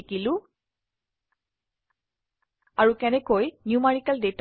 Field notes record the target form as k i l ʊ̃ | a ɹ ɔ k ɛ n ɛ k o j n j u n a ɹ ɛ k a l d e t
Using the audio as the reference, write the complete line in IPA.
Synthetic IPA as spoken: k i l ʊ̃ | a ɹ u k ɛ n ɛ k o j n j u m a ɹ i k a l d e t

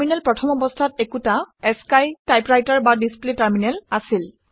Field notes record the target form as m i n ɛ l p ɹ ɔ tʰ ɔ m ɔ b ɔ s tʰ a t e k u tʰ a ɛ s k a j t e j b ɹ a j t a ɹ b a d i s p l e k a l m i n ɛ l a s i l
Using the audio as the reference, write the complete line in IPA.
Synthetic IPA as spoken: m i n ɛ l p ɹ ɔ tʰ ɔ m ɔ b ɔ s tʰ a t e k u t a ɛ s k a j t a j p ɹ a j t a ɹ b a d i s p l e t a ɹ m i n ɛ l a s i l

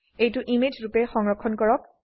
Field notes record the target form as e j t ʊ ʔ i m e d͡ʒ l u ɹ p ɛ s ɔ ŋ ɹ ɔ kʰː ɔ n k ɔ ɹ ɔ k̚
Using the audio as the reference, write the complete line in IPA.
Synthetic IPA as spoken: e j t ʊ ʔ i m e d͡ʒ ɹ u p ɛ x ɔ ŋ ɹ ɔ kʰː ɔ n k ɔ ɹ ɔ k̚

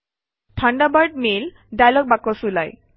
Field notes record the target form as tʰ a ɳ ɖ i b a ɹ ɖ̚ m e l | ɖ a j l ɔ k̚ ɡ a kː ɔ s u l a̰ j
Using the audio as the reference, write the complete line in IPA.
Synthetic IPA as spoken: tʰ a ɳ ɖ a b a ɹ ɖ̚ m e l | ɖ a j l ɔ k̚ b a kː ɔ s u l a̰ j

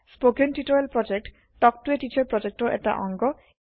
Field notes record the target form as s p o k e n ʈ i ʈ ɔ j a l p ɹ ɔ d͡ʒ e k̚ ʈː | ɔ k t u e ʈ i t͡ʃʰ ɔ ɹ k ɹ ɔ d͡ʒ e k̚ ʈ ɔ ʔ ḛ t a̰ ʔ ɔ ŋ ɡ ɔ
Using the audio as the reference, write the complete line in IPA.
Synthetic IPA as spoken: s p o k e n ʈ i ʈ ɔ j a l p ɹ ɔ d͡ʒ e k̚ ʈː | ɔ k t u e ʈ i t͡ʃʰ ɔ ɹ p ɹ ɔ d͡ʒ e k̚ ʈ ɔ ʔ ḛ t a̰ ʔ ɔ ŋ ɡ ɔ

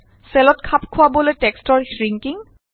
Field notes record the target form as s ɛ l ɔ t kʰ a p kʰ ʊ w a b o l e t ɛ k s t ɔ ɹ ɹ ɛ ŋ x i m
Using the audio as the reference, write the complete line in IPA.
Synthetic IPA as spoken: s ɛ l ɔ t kʰ a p kʰ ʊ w a b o l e t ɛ k s t ɔ ɹ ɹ i ŋ k i ŋ

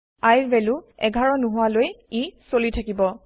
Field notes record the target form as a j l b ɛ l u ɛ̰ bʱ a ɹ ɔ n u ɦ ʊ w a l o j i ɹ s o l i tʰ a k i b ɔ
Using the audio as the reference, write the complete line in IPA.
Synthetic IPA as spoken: a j ɹ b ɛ l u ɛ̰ ɡʱ a ɹ ɔ n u ɦ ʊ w a l o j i s o l i tʰ a k i b ɔ

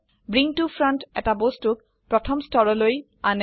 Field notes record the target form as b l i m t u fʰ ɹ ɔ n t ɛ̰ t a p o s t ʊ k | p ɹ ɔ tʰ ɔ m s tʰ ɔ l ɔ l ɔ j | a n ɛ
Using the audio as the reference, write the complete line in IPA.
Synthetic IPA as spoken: b ɹ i ŋ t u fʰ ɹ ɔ n t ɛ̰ t a b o s t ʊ k | p ɹ ɔ tʰ ɔ m s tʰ ɔ ɹ ɔ l o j | a n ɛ

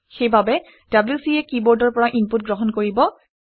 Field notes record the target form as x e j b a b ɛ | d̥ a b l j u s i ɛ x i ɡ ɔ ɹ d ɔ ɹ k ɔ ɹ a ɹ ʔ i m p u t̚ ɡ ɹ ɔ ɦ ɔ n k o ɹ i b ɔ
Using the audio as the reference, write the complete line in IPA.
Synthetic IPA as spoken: x e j b a b ɛ | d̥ a b l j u s i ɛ k i b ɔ ɹ d ɔ ɹ p ɔ ɹ a ʔ i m p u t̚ ɡ ɹ ɔ ɦ ɔ n k o ɹ i b ɔ

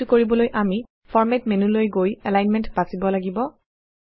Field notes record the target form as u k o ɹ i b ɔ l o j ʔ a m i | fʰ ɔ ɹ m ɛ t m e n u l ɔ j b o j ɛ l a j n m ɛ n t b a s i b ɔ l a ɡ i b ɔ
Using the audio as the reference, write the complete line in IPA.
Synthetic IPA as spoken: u k o ɹ i b ɔ l o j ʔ a m i | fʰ ɔ ɹ m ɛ t m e n u l o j ɡ o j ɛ l a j n m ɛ n t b a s i b ɔ l a ɡ i b ɔ

